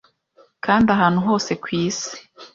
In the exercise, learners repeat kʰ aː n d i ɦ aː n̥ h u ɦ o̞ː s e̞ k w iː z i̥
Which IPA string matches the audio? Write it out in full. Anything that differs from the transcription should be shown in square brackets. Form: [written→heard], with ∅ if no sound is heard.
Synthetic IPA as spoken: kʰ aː n d [i→a] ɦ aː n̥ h u ɦ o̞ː s e̞ k w iː [z→s] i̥